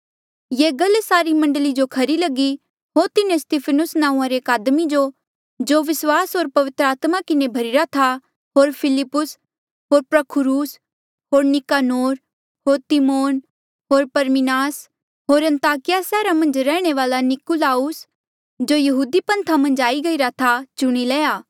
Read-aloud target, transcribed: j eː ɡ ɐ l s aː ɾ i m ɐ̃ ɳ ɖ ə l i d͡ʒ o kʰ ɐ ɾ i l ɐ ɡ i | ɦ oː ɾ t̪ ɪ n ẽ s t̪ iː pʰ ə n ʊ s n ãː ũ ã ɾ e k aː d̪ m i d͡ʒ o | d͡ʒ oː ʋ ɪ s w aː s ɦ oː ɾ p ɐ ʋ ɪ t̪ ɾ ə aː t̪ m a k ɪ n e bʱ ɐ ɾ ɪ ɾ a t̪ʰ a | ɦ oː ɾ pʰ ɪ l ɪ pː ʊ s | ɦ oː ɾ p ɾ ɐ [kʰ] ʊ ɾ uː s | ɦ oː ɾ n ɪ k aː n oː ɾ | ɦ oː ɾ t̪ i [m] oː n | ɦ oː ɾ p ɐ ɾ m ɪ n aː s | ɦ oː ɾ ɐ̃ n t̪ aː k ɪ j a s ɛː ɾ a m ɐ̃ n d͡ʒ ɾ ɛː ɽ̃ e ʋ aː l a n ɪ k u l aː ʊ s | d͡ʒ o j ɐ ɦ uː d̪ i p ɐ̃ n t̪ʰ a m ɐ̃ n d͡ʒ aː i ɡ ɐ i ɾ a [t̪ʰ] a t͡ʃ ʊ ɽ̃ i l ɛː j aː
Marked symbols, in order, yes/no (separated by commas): yes, yes, yes